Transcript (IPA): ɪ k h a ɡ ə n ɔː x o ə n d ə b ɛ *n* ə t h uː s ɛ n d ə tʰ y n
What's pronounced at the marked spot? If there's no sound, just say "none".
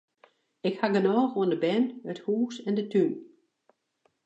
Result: n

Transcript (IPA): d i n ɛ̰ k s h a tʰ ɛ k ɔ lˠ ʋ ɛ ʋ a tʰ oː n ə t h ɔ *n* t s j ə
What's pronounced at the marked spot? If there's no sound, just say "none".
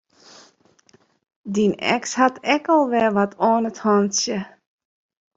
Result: n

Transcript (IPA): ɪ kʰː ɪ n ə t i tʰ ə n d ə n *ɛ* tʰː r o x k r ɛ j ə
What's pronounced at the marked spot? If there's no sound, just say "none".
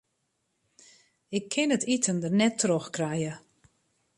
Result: ɛ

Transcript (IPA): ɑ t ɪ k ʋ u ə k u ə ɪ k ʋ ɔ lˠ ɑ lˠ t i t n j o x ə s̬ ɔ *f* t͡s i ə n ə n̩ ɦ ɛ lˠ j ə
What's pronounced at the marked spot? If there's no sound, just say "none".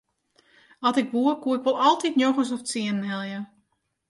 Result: f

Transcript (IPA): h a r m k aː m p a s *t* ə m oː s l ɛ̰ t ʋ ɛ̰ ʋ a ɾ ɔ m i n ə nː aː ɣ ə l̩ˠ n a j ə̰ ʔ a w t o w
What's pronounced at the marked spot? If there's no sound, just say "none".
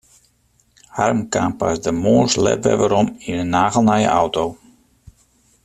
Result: d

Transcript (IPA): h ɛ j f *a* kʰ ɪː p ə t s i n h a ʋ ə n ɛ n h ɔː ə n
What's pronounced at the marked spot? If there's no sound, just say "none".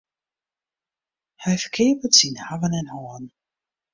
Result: ə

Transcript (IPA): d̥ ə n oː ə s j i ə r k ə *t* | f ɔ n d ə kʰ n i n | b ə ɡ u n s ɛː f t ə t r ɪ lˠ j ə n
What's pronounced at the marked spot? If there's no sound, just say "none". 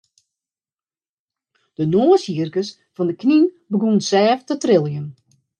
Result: s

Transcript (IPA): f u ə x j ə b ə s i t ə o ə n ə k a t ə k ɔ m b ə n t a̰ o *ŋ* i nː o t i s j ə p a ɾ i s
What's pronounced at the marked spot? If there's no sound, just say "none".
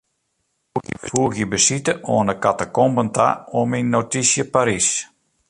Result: m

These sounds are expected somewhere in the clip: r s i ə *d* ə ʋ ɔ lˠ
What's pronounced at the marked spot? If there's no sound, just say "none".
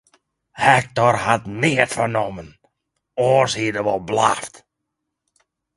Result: d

